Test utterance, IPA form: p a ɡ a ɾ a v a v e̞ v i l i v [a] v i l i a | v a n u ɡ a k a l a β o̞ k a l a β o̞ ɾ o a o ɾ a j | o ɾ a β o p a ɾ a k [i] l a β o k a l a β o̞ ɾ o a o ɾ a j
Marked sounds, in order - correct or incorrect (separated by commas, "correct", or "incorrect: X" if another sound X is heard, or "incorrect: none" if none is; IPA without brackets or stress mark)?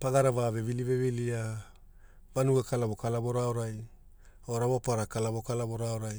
incorrect: e, incorrect: a